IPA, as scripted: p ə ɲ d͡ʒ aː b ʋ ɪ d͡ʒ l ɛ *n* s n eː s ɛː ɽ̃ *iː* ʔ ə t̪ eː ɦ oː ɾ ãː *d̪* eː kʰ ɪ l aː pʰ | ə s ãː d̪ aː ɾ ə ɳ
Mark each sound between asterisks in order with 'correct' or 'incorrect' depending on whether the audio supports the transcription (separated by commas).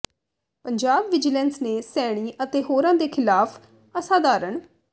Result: correct, correct, correct